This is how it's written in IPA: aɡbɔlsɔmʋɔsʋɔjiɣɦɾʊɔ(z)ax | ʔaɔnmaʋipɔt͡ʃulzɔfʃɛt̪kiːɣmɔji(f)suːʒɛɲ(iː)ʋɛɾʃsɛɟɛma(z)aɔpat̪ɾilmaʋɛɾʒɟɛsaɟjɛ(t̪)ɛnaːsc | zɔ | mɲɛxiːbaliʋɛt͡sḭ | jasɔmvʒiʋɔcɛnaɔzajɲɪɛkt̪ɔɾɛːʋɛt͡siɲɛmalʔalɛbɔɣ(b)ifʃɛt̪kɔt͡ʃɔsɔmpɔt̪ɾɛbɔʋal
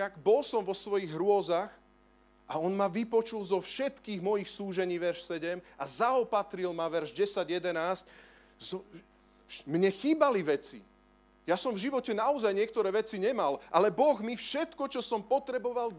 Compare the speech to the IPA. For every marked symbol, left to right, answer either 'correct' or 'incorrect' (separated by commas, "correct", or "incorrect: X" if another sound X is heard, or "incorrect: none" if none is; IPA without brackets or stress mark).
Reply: correct, incorrect: x, correct, correct, incorrect: d̪, incorrect: m